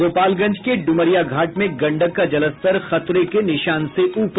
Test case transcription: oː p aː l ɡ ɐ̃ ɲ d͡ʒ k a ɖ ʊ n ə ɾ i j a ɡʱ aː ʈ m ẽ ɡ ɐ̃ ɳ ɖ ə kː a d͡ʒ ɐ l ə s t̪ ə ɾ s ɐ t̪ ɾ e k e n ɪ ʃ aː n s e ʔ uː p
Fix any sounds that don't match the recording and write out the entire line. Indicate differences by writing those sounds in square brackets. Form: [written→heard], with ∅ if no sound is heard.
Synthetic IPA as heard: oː p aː l ɡ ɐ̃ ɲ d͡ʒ k [a→e] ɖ ʊ [n→m] ə ɾ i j a ɡʱ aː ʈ m ẽ ɡ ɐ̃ ɳ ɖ ə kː a d͡ʒ ɐ l ə s t̪ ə ɾ [s→x] ɐ t̪ ɾ e k e n ɪ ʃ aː n s e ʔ uː p

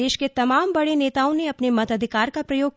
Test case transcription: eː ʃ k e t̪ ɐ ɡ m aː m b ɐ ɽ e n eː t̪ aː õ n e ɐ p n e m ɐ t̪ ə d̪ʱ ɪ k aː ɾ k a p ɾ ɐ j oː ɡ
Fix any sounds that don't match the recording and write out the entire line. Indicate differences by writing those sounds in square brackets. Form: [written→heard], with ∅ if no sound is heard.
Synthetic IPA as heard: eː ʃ k e t̪ ɐ [ɡ→∅] m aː m b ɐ ɽ e n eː t̪ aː õ n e ɐ p n e m ɐ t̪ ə d̪ʱ ɪ k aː ɾ k a p ɾ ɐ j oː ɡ

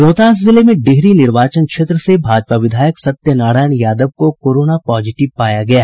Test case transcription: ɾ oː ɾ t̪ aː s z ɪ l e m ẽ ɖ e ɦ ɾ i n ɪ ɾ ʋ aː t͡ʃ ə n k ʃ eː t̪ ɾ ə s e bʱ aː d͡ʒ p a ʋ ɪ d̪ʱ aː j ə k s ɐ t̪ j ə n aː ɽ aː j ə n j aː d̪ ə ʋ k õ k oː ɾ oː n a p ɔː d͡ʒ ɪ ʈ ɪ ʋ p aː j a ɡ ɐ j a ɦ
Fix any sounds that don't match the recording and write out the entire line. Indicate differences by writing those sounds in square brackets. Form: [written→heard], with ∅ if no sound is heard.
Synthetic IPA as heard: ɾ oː [ɾ→∅] t̪ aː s z ɪ l e m ẽ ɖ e ɦ ɾ i n ɪ ɾ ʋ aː t͡ʃ ə n k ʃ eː t̪ ɾ ə s e bʱ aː d͡ʒ p a ʋ ɪ d̪ʱ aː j ə k s ɐ t̪ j ə n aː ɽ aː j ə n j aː d̪ ə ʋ k [õ→o] k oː ɾ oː n a p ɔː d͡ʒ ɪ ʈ ɪ ʋ p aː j a ɡ ɐ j a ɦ

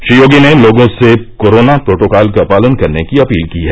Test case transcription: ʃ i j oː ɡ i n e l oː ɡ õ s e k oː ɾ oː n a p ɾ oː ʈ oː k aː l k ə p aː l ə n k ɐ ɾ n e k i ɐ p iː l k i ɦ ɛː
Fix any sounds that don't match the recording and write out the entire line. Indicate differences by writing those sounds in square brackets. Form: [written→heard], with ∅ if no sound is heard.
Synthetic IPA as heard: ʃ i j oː ɡ i n e l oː ɡ õ s e k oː ɾ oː n a p ɾ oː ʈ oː k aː l k [ə→a] p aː l ə n k ɐ ɾ n e k i ɐ p iː l k i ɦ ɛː

